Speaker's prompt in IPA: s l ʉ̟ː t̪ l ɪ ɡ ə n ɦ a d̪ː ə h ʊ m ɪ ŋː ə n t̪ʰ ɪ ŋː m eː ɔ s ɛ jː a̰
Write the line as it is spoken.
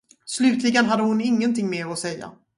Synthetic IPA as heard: s l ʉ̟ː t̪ l ɪ ɡ ə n ɦ a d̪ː ə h ʊ n ɪ ŋː ə n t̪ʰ ɪ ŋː m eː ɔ s ɛ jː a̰

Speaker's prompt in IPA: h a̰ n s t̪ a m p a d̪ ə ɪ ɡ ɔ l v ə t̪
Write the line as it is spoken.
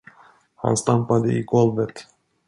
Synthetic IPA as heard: h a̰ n s t̪ a m p a d̪ ə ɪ ɡ ɔ l v ə t̪

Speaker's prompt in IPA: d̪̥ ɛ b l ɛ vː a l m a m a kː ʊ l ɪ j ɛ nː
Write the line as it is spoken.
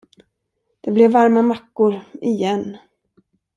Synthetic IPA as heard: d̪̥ ɛ b l ɛ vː a ɾ m a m a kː ʊ ɾ ɪ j ɛ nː

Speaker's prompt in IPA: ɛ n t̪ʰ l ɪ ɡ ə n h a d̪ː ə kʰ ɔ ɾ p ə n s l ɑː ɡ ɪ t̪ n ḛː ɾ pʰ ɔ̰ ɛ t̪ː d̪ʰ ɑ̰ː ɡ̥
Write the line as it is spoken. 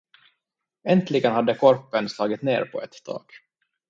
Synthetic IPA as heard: ɛ n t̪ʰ l ɪ ɡ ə n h a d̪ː ə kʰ ɔ ɾ p ə n s l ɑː ɡ ɪ t̪ n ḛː ɾ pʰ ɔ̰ ɛ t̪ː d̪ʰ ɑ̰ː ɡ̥

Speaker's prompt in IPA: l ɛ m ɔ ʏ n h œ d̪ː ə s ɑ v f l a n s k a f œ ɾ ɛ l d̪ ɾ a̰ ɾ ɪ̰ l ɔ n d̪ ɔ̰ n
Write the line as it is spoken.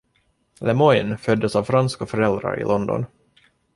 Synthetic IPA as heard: l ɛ m ɔ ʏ n f œ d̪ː ə s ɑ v f ɾ a n s k a f œ ɾ ɛ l d̪ ɾ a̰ ɾ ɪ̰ l ɔ n d̪ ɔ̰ n

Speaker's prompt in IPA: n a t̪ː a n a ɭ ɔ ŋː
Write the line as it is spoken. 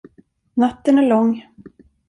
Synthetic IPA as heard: n a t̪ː ə n æ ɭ ɔ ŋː

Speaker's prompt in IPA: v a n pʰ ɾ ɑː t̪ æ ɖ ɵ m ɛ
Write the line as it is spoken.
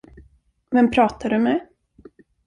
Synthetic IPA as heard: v ɛ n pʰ ɾ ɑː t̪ a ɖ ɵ m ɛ

